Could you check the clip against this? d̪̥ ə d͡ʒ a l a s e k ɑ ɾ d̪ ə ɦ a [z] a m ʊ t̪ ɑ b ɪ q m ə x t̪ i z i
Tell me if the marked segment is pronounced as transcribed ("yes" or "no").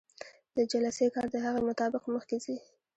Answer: no